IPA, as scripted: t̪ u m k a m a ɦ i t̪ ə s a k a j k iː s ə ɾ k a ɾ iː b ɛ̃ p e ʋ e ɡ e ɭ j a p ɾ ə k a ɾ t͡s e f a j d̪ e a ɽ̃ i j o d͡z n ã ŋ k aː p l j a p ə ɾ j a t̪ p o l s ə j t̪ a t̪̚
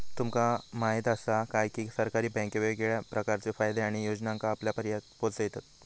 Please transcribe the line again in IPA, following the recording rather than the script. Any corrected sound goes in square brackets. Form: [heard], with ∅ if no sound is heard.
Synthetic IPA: t̪ u m k a m a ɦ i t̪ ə s a k a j k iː s ə ɾ k a ɾ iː b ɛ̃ [k] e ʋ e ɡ e ɭ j a p ɾ ə k a ɾ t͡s e f a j d̪ e a ɽ̃ i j o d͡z n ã ŋ k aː p l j a p ə ɾ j a t̪ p o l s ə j t̪ a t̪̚